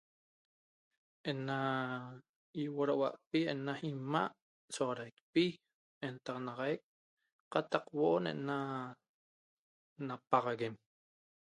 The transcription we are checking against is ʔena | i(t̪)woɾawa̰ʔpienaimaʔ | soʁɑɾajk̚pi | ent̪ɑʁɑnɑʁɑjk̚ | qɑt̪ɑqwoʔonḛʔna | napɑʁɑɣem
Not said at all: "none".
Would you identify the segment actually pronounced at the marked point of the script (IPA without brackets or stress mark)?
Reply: none